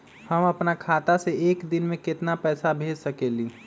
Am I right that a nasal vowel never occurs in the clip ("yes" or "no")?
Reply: no